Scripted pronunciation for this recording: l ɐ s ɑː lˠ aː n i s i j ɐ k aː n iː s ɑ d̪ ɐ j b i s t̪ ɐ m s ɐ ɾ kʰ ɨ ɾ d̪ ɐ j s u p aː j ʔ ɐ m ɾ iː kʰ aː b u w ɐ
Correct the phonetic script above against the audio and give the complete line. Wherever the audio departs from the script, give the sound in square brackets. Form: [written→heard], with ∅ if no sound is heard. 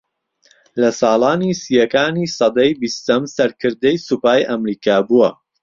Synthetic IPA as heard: l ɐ s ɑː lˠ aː n i s i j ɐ k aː n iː s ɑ d̪ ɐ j b i s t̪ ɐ m s ɐ ɾ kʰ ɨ ɾ d̪ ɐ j s u p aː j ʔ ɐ m ɾ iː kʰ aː b u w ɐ